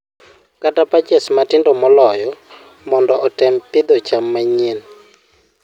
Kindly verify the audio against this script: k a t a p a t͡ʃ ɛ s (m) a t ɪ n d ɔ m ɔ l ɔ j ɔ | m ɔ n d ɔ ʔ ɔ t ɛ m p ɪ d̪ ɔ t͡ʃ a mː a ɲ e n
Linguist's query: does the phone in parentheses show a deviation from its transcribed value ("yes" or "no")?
no